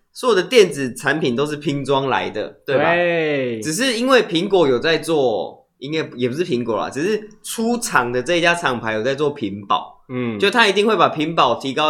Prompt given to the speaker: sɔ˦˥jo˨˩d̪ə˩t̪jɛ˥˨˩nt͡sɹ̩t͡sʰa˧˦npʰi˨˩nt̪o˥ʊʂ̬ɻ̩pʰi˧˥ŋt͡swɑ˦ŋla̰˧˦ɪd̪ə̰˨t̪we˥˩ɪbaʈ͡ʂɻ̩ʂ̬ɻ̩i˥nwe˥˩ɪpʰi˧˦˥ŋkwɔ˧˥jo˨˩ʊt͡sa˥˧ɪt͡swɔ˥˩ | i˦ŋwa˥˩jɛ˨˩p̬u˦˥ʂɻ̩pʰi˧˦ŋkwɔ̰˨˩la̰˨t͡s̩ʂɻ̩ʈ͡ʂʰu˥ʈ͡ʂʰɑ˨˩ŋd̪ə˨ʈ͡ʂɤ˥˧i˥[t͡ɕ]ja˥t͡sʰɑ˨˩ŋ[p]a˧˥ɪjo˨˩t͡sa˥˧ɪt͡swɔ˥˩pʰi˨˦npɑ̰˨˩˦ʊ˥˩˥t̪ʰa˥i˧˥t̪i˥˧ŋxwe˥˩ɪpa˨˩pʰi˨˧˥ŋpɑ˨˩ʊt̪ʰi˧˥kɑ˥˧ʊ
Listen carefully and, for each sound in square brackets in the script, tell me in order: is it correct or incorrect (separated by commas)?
correct, incorrect